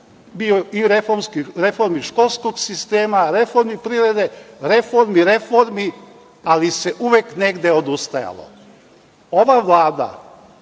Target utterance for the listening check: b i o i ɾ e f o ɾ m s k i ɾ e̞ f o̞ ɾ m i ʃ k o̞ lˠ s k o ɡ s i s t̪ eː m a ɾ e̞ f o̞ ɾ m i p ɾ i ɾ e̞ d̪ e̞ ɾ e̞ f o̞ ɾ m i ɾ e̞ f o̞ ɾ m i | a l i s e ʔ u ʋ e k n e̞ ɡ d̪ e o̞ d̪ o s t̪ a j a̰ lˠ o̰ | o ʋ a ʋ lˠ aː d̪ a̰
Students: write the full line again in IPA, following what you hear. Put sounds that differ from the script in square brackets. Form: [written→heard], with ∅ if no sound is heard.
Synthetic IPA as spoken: b i o i ɾ e f o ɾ m s k i ɾ e̞ f o̞ ɾ m i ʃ k o̞ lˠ s k o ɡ s i s t̪ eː m a ɾ e̞ f o̞ ɾ m i p ɾ i ɾ e̞ d̪ e̞ ɾ e̞ f o̞ ɾ m i ɾ e̞ f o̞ ɾ m i | a l i s e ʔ u ʋ e k n e̞ ɡ d̪ e o̞ d̪ [o→u] s t̪ a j a̰ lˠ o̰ | o ʋ a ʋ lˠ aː d̪ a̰

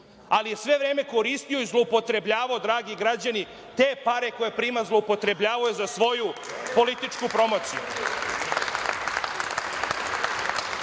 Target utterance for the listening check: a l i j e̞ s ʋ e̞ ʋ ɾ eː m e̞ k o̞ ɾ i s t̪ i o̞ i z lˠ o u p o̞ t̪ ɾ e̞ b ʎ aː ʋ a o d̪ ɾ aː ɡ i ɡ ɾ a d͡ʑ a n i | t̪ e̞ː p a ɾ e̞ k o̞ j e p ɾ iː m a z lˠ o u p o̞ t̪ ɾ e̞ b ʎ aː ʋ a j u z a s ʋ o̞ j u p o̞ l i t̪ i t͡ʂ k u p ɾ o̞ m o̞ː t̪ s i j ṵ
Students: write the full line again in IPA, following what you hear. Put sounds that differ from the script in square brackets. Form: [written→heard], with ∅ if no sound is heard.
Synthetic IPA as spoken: a l i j e̞ s ʋ e̞ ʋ ɾ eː m e̞ k o̞ ɾ i s t̪ i o̞ i z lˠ o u p o̞ t̪ ɾ e̞ b ʎ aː ʋ a o d̪ ɾ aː ɡ i ɡ ɾ a d͡ʑ a n i | t̪ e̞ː p a ɾ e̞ k o̞ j e p ɾ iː m a z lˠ o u p o̞ t̪ ɾ e̞ b ʎ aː ʋ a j u z a s ʋ o̞ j u p o̞ l i t̪ i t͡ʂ k u p ɾ o̞ m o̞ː t̪ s i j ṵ

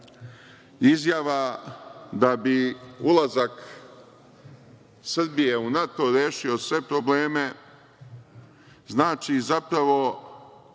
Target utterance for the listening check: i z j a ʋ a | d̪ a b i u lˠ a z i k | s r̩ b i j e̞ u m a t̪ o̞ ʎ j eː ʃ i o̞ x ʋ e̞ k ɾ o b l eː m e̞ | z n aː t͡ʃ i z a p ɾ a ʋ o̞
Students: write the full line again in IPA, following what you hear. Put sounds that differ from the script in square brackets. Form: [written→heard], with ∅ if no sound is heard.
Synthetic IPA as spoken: i z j a ʋ a | d̪ a b i u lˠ a z [i→a] k | s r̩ b i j e̞ u [m→n] a t̪ o̞ [ʎ→ɾ] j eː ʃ i o̞ [x→s] ʋ e̞ [k→p] ɾ o b l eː m e̞ | z n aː t͡ʃ i z a p ɾ a ʋ o̞

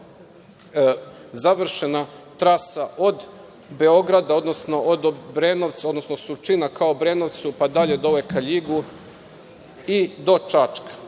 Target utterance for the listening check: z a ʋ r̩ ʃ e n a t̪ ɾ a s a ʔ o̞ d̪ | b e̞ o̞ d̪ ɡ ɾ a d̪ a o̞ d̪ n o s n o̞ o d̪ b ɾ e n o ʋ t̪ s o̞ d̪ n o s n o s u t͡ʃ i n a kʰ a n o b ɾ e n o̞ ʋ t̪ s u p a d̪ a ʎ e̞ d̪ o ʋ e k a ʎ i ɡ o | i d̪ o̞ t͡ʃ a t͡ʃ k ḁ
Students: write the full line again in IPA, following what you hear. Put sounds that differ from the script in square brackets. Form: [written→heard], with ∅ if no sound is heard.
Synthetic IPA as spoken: z a ʋ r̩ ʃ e n a t̪ ɾ a s a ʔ o̞ d̪ | b e̞ o̞ [d̪→∅] ɡ ɾ a d̪ a o̞ d̪ n o s n o̞ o d̪ b ɾ e n o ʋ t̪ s o̞ d̪ n o s n o s u t͡ʃ i n a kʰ a [n→∅] o b ɾ e n o̞ ʋ t̪ s u p a d̪ a ʎ e̞ d̪ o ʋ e k a ʎ i ɡ [o→u] | i d̪ o̞ t͡ʃ a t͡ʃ k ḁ

